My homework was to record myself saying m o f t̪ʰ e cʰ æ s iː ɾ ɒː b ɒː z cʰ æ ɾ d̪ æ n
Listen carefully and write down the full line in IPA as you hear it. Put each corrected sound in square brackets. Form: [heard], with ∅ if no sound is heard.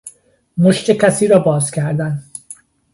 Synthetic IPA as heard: m o [ʃ] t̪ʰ e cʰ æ s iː ɾ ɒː b ɒː z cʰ æ ɾ d̪ æ n